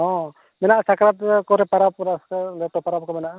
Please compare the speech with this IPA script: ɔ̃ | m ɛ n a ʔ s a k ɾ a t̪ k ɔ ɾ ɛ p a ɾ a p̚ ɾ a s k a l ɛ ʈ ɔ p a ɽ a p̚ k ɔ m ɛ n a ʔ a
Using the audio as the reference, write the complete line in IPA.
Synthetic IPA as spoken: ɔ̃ | m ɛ n a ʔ s a k ɾ a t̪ k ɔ ɾ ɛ p a ɾ a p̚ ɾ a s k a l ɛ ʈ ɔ p a ɾ a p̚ k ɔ m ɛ n a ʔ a